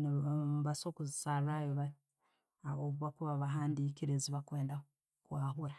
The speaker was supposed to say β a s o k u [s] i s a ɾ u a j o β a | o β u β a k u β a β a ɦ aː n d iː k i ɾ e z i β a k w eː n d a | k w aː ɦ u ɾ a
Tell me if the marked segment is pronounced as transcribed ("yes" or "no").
no